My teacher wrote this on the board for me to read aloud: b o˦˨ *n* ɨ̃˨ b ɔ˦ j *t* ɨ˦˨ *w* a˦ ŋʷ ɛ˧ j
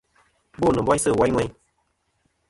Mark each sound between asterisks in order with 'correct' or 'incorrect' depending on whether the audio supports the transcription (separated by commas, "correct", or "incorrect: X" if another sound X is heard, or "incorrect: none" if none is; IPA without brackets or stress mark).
correct, incorrect: s, correct